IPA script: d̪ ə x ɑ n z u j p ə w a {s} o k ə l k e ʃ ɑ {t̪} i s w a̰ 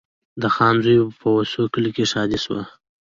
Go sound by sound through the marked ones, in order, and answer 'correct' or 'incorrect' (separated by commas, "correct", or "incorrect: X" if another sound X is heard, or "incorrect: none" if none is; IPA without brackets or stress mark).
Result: correct, incorrect: d̪